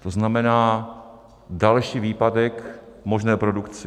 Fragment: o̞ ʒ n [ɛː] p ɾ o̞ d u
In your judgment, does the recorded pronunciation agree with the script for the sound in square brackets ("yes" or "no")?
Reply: yes